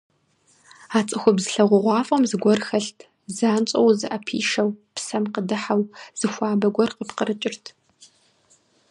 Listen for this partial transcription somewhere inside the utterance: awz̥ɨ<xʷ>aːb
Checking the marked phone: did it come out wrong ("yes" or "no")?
no